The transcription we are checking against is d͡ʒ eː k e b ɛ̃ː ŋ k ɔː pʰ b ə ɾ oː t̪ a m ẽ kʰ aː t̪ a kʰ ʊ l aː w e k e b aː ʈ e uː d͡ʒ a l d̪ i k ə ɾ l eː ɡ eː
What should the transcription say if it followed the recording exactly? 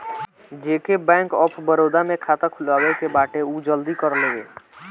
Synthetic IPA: d͡ʒ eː k e b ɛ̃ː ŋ k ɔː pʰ b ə ɾ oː d̪ a m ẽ kʰ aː t̪ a kʰ ʊ l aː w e k e b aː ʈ e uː d͡ʒ ə l d̪ i k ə ɾ l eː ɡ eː